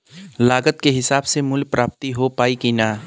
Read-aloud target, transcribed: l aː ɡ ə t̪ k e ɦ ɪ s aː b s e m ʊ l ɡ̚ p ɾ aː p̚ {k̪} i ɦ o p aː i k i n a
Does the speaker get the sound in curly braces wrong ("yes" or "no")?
yes